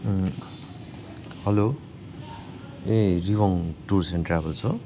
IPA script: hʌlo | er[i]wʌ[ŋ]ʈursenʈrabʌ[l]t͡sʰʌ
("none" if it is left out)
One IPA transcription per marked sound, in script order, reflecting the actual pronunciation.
i, ŋ, l

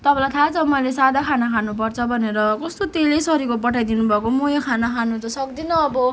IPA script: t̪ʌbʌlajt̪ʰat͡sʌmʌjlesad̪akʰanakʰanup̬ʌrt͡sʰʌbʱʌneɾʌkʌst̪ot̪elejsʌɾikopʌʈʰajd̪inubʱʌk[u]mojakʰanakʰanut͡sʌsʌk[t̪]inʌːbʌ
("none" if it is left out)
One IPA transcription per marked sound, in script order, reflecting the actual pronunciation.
o, d̪

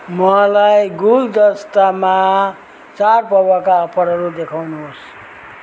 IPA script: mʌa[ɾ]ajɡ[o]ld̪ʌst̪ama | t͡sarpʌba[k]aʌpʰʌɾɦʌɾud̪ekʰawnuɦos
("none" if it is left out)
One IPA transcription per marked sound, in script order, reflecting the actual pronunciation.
l, u, k

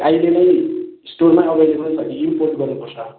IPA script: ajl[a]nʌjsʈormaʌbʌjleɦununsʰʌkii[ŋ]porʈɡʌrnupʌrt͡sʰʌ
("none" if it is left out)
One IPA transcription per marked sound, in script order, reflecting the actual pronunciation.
e, m

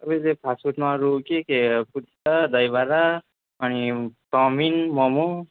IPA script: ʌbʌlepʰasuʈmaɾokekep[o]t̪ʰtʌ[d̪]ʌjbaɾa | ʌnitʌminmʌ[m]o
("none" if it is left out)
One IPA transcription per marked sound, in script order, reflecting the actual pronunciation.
u, d̪, m

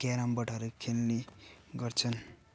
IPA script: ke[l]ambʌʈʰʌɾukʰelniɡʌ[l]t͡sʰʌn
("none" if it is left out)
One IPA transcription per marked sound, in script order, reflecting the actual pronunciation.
ɾ, r

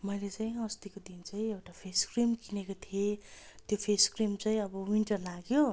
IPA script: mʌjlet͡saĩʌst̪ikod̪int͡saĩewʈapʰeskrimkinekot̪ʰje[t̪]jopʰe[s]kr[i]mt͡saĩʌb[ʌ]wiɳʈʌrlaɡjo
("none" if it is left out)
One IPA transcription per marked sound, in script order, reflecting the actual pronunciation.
t̪, s, i, ʌ

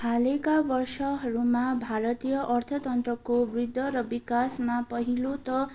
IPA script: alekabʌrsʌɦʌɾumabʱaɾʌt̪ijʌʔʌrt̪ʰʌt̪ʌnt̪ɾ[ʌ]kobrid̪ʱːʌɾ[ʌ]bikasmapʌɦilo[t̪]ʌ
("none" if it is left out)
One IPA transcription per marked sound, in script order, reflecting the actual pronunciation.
ʌ, ʌ, t̪

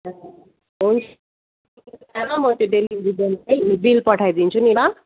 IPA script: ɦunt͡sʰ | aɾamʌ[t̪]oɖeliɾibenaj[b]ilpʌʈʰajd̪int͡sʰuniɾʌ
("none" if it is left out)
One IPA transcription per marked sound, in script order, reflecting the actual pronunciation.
t̪, b

